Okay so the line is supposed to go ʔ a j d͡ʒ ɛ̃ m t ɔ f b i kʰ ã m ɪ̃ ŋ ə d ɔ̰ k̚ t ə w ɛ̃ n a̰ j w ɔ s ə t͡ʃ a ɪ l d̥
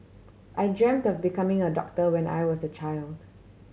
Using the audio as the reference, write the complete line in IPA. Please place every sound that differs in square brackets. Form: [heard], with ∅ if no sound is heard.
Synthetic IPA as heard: ʔ a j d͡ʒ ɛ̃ m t ɔ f b i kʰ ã m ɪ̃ ŋ ə d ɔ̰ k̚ t ə w ɛ̃ n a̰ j w ɔ s ə t͡ʃ a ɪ l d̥